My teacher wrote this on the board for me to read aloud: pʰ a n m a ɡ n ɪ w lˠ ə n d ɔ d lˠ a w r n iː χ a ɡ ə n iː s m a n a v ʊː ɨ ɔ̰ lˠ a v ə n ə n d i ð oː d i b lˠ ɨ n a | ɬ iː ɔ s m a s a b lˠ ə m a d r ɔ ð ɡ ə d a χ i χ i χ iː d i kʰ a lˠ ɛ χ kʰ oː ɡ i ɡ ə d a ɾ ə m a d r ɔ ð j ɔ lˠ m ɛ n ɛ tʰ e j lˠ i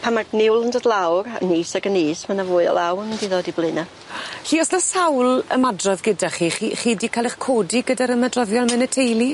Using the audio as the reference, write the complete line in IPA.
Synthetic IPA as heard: pʰ a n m a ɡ n ɪ w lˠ ə n d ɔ d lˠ a w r n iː s a ɡ ə n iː s m a n a v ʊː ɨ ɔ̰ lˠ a w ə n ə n d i ð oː d i b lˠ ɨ n a | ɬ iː ɔ s n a s a w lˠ ə m a d r ɔ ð ɡ ə d a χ i χ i χ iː d i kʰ a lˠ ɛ χ kʰ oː d i ɡ ə d a ɾ ə m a d r ɔ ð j ɔ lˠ m ɛ n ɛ tʰ e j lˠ i